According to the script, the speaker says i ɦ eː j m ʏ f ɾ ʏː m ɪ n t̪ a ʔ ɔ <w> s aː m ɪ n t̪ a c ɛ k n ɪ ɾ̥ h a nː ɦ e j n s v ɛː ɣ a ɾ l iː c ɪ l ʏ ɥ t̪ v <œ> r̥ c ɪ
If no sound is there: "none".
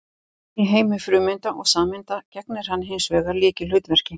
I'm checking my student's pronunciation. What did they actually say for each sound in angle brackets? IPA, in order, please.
ɣ, ɛ

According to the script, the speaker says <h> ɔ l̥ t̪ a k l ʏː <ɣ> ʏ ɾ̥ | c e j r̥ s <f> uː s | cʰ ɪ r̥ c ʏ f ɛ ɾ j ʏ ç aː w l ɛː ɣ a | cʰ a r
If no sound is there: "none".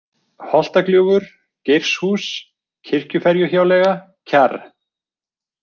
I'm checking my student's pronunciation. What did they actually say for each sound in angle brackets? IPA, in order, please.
h, ɣ, h

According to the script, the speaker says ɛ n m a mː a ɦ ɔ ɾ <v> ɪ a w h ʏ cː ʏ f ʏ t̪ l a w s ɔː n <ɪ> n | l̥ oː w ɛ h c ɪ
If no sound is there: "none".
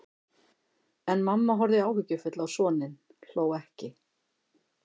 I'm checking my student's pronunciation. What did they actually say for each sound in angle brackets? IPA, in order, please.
ð, ɪ

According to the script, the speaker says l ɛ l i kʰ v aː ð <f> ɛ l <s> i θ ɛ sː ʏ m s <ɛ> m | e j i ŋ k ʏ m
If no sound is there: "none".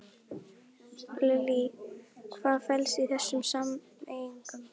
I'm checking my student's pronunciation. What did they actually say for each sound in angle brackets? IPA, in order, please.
f, s, a

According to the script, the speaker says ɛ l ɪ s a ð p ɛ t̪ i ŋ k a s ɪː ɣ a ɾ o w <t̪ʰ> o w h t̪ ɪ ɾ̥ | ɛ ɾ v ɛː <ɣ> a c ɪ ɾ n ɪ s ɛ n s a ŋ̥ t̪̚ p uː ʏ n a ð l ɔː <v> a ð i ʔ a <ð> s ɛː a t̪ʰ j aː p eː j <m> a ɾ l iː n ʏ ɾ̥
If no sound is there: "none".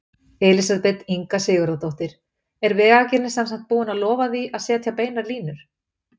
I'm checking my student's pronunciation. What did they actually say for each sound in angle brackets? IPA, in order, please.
t̪, ɣ, v, ð, n

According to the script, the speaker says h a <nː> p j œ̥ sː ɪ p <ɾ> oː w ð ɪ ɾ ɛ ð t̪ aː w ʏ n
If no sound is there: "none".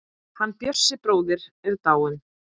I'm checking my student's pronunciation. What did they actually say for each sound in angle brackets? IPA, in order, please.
nː, ɾ

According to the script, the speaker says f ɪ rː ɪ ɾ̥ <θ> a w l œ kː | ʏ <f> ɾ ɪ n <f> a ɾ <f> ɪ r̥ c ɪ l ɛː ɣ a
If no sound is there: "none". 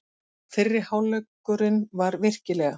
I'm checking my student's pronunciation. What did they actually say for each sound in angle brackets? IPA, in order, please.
h, none, v, v

